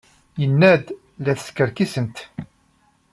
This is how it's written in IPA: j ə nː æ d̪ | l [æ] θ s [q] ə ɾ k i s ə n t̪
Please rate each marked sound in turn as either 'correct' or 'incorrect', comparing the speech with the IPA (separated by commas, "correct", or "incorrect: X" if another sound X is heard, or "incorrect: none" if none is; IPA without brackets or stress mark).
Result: correct, incorrect: k